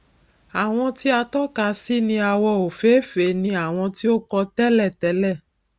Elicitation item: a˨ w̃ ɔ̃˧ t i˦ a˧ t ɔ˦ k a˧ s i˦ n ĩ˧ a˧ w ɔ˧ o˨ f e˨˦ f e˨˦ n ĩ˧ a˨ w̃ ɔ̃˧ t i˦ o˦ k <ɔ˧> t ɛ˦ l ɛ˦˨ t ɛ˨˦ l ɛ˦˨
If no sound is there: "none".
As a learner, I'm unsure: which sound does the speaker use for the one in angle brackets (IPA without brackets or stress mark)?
ɔ˧